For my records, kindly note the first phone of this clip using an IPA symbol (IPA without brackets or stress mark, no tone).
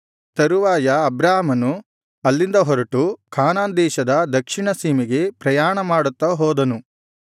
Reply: t̪